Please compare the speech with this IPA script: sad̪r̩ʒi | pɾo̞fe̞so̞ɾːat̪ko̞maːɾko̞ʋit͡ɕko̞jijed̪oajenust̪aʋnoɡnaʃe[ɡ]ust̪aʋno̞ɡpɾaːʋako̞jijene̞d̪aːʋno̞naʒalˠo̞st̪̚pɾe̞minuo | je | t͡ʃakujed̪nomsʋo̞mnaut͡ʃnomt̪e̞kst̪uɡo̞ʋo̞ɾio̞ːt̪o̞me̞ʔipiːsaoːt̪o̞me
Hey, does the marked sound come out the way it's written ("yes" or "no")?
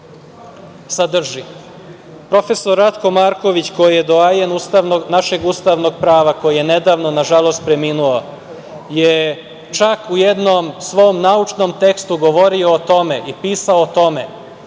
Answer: yes